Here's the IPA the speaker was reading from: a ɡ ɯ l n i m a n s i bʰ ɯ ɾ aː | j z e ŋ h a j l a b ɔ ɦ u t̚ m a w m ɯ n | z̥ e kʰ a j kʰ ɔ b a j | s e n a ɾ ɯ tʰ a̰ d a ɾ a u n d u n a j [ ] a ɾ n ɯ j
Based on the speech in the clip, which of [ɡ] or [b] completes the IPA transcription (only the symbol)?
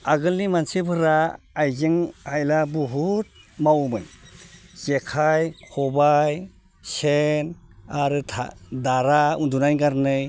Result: ɡ